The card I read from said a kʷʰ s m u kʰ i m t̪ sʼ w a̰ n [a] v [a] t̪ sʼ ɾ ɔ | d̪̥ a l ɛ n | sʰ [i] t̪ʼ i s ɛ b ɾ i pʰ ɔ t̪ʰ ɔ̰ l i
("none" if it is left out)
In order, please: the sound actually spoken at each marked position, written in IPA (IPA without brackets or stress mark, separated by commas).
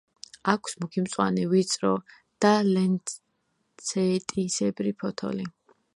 ɛ, i, ɛ